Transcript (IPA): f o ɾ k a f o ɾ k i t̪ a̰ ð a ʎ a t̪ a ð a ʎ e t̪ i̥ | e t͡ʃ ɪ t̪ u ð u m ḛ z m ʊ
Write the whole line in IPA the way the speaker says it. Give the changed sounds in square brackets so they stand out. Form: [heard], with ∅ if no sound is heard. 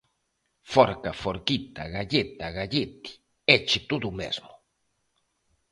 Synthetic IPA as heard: f o ɾ k a f o ɾ k i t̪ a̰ [ɣ] a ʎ [e] t̪ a [ɣ] a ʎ e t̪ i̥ | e t͡ʃ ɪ t̪ u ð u m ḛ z m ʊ